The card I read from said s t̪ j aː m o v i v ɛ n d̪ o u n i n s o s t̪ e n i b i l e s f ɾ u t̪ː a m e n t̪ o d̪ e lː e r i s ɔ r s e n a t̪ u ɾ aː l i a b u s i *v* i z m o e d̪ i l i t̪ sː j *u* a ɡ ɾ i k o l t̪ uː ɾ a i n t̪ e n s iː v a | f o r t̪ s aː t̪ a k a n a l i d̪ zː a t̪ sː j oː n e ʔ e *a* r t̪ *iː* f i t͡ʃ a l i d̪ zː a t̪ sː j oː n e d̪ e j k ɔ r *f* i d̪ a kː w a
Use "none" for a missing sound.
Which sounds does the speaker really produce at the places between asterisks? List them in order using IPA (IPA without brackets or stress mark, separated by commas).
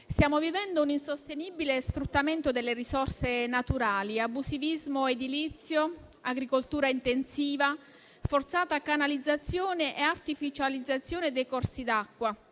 v, o, a, i, s